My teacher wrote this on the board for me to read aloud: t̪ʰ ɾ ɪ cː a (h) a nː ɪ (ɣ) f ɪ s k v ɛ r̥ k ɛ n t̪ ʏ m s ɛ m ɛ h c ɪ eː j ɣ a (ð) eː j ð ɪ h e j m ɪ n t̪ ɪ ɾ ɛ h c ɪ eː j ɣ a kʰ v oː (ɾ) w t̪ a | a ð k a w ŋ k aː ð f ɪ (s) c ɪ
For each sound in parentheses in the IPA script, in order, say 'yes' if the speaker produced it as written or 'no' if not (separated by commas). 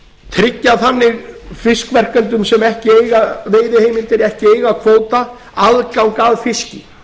no, yes, no, no, yes